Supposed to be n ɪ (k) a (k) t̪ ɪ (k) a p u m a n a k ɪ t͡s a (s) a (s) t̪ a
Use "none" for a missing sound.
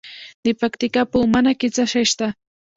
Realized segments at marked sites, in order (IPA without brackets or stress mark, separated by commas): p, k, k, ʃ, ʃ